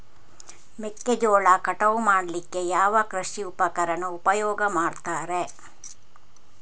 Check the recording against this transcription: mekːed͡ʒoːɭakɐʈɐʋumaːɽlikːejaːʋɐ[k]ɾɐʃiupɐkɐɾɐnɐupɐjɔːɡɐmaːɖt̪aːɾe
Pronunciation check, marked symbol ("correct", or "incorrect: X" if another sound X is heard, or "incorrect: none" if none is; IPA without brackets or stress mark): correct